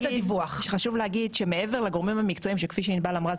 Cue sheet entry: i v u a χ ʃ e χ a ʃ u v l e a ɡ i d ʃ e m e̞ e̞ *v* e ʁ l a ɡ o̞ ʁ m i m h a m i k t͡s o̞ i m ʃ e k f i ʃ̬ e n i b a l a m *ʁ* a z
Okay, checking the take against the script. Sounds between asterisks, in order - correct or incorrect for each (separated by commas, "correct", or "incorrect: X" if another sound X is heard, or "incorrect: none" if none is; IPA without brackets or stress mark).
correct, correct